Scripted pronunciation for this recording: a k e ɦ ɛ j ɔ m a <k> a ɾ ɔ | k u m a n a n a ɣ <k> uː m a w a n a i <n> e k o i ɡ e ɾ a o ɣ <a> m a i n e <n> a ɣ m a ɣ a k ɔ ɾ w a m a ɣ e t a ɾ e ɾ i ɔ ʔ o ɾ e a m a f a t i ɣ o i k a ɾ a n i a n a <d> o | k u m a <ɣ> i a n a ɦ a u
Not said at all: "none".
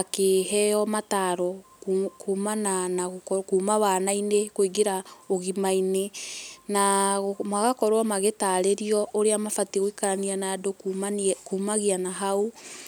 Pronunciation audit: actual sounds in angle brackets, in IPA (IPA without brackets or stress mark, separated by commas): t, k, n, i, n, d, ɣ